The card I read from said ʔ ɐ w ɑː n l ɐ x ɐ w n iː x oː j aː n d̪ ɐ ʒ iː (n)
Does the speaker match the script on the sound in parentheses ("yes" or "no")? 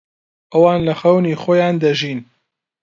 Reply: yes